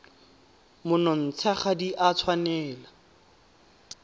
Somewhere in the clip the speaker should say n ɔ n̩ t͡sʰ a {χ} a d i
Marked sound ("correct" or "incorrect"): correct